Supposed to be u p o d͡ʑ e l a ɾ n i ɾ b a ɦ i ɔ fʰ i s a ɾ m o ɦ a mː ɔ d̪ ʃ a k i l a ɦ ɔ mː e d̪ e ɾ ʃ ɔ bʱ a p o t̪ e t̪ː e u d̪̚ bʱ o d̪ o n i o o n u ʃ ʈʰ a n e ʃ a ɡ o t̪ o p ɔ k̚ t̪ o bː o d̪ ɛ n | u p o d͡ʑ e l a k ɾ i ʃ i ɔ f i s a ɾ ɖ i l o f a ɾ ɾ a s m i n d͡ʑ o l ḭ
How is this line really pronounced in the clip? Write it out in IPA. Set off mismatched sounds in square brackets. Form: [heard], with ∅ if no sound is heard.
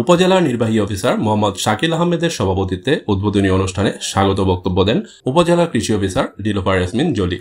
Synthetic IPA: u p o d͡ʑ e l a ɾ n i ɾ b a ɦ i ɔ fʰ i s a ɾ m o ɦ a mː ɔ d̪ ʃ a k i l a ɦ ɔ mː e d̪ e ɾ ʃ ɔ bʱ a p o t̪ [i] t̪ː e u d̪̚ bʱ o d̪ o n i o o n u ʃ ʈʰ a n e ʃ a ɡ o t̪ o [b] ɔ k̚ t̪ o bː o d̪ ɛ n | u p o d͡ʑ e l a k ɾ i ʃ i ɔ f i s a ɾ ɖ i l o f a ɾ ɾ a s m i n d͡ʑ o l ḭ